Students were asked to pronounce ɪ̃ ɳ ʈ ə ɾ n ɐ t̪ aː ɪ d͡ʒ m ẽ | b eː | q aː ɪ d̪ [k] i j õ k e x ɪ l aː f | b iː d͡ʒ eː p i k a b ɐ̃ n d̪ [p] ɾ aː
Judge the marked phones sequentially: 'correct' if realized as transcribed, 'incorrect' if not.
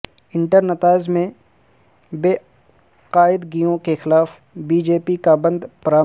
incorrect: ɡ, correct

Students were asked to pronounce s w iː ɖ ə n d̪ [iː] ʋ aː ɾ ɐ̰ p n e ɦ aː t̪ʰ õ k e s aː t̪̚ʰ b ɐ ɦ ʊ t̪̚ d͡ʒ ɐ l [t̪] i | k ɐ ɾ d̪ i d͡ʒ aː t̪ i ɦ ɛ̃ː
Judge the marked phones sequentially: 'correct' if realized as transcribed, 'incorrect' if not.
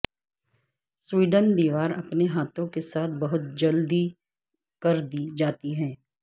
correct, incorrect: d̪

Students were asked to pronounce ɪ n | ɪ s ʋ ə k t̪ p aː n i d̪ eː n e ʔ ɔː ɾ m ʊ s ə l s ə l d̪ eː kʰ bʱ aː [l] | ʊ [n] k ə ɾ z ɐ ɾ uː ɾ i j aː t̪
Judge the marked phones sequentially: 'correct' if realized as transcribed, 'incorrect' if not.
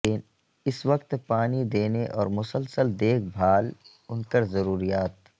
correct, correct

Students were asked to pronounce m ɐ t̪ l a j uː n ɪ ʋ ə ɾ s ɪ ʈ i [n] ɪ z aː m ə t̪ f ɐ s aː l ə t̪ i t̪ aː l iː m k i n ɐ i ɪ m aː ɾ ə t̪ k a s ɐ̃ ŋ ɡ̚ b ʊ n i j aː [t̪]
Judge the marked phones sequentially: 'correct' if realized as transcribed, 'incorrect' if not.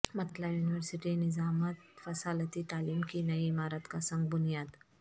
correct, incorrect: d̪

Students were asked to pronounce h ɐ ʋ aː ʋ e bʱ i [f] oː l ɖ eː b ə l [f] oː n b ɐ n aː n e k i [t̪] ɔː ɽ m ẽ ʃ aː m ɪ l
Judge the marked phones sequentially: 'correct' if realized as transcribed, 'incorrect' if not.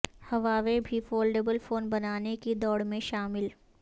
correct, correct, incorrect: d̪

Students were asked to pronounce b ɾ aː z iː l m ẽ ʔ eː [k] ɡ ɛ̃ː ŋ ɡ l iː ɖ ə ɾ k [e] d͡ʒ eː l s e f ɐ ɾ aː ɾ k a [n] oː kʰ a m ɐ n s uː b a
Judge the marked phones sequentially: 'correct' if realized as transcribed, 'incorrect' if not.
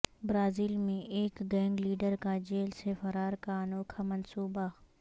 correct, incorrect: a, correct

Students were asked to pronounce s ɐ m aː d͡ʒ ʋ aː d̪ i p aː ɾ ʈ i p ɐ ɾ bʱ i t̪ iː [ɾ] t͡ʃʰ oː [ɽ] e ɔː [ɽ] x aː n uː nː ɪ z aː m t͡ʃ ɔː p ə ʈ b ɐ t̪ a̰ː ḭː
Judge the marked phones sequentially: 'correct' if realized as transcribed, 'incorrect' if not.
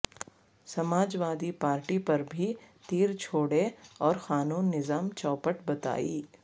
correct, correct, incorrect: ɾ

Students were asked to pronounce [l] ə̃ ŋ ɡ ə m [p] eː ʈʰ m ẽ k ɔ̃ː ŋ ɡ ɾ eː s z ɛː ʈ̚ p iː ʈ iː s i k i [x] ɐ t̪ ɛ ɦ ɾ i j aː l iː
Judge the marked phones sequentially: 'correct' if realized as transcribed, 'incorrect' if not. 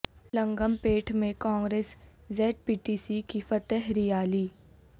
correct, correct, incorrect: f

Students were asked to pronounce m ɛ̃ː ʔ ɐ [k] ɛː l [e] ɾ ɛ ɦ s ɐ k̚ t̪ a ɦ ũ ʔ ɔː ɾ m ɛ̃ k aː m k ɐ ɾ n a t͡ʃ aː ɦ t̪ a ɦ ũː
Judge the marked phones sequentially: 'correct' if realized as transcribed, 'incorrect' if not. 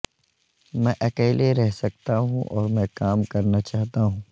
correct, correct

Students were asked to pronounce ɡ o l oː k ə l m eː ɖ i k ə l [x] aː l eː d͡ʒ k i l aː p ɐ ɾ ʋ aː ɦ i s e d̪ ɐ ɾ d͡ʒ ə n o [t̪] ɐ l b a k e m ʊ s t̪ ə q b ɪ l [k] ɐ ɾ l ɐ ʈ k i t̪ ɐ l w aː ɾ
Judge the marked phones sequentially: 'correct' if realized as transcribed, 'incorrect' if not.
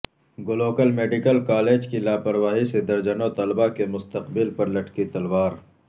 incorrect: k, correct, incorrect: p

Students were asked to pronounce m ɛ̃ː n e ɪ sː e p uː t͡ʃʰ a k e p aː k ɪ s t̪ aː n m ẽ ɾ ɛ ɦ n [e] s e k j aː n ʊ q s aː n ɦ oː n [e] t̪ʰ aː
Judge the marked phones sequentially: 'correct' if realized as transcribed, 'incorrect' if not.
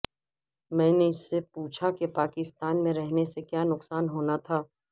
correct, incorrect: a

